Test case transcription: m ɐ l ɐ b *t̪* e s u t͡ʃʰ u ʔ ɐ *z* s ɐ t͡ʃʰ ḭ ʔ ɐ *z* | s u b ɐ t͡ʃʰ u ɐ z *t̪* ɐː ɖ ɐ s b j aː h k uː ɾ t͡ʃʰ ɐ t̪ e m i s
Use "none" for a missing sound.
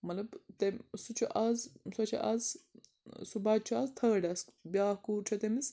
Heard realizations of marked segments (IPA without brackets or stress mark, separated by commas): t̪, z, z, t̪ʰ